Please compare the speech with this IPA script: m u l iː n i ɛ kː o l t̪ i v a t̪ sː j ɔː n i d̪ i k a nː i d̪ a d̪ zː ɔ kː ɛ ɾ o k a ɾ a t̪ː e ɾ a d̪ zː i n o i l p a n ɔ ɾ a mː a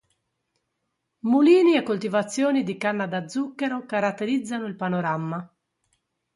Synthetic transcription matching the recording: m u l iː n i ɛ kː o l t̪ i v a t̪ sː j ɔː n i d̪ i k a nː a d̪ a d̪ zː u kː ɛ ɾ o k a ɾ a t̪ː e ɾ i d̪ zː a n o i l p a n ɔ ɾ a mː a